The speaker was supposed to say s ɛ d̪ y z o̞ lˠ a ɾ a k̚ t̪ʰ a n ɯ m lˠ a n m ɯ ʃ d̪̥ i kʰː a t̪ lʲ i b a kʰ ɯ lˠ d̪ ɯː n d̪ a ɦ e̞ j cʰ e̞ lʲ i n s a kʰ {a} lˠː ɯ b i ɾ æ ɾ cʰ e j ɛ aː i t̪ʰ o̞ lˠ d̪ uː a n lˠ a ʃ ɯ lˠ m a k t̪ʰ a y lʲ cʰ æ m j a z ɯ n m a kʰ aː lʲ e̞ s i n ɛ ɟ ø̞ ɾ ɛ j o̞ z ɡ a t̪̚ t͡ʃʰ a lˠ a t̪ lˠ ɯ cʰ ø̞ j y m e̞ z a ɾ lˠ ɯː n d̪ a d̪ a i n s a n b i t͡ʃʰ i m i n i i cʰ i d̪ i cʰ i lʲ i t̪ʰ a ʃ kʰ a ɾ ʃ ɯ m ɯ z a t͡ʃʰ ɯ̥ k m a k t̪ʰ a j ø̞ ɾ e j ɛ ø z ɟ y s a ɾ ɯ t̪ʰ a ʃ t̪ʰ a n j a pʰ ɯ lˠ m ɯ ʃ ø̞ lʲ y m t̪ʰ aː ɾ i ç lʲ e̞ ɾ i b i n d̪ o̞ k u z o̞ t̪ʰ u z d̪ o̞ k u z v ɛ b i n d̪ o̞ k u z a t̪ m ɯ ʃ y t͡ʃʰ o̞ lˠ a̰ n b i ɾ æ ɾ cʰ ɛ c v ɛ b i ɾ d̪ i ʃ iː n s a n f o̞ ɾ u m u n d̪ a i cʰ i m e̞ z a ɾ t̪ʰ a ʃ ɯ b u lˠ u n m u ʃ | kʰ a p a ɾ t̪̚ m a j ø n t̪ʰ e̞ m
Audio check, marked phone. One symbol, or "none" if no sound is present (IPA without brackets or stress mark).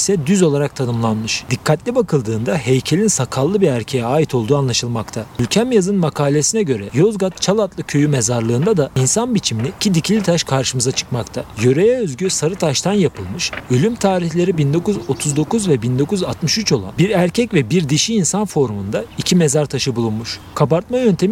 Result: a